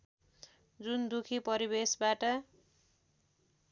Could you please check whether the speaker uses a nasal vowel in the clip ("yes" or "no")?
no